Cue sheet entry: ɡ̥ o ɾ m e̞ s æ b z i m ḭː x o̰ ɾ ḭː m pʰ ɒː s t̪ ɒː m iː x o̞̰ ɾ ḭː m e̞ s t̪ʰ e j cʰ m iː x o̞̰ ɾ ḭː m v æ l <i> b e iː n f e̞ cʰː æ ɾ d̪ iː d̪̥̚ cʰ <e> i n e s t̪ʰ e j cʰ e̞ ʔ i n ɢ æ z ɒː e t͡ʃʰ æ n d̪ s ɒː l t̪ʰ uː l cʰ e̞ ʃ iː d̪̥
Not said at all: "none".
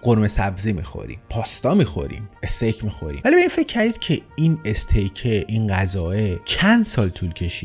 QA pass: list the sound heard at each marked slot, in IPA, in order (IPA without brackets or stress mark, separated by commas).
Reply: i, e